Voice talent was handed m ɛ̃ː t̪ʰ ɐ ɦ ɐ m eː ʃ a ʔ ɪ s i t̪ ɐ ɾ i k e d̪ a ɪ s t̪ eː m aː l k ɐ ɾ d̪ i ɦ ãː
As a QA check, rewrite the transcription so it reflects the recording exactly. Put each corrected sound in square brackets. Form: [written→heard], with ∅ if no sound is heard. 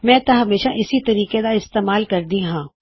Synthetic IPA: m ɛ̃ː [t̪ʰ→t̪] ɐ ɦ ɐ m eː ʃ a ʔ ɪ s i t̪ ɐ ɾ [i→iː] k e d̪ a ɪ s t̪ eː m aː l k ɐ ɾ d̪ i ɦ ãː